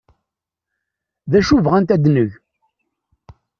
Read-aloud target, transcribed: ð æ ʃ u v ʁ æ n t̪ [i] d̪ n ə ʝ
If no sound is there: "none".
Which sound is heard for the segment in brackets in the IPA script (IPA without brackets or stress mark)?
æ